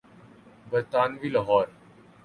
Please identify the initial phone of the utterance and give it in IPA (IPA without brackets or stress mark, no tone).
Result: b